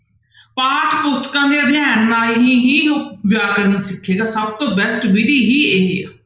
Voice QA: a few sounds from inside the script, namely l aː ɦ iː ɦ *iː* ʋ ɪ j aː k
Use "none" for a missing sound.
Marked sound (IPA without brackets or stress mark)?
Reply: iː